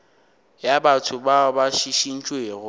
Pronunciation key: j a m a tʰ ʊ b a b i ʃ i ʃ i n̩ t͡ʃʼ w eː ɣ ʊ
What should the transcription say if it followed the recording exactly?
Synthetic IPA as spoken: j a b a tʰ ʊ b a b a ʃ i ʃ i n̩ t͡ʃʼ w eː ɣ ʊ